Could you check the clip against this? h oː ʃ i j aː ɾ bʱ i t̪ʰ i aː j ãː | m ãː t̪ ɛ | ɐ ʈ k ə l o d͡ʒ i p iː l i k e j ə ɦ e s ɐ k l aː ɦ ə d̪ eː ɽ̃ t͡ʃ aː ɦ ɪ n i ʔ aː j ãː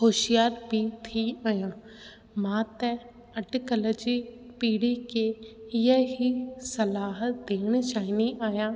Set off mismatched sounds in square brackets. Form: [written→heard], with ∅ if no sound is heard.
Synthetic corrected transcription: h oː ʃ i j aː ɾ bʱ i t̪ʰ i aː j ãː | m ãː t̪ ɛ | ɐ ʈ k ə l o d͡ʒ i p iː [l→ɽ] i k e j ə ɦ [e→i] s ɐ [k→∅] l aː ɦ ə d̪ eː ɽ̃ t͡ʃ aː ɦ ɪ n i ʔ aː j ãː